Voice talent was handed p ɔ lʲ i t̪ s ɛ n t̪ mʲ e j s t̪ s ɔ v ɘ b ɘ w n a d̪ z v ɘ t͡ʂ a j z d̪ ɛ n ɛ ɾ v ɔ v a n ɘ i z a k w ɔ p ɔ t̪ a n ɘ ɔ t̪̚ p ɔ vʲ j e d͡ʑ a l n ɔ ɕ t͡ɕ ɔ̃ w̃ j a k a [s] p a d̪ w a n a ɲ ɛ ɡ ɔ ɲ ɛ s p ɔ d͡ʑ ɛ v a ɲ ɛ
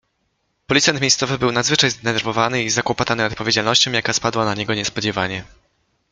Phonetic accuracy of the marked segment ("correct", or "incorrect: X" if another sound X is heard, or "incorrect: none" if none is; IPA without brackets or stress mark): correct